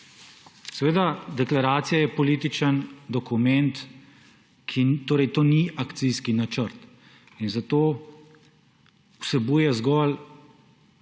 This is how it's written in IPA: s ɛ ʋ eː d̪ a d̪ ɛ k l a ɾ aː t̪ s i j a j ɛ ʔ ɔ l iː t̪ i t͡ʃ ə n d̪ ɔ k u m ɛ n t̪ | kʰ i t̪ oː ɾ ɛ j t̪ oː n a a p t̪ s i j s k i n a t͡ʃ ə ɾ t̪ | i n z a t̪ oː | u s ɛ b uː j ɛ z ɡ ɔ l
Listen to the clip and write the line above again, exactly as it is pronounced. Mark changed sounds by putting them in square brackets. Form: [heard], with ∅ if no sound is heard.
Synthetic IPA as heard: s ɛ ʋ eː d̪ a d̪ ɛ k l a ɾ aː t̪ s i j a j ɛ [p] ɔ l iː t̪ i t͡ʃ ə n d̪ ɔ k u m ɛ n t̪ | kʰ i t̪ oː ɾ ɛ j t̪ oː n [i] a [k] t̪ s i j s k i n a t͡ʃ ə ɾ t̪ | i n z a t̪ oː | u s ɛ b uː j ɛ z ɡ ɔ l